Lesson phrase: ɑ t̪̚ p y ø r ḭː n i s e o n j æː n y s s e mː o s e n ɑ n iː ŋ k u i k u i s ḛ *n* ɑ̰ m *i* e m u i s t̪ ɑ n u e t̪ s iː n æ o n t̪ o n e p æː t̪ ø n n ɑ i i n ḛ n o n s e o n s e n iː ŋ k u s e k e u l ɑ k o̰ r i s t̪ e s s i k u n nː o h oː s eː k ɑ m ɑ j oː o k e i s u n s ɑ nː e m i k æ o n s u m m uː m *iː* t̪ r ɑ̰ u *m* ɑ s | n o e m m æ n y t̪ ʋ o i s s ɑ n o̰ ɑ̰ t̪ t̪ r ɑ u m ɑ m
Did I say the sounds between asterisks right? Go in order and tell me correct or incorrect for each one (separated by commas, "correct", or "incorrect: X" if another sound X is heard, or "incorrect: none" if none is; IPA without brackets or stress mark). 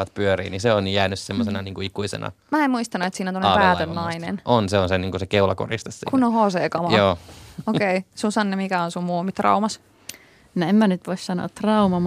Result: correct, incorrect: æ, incorrect: i, correct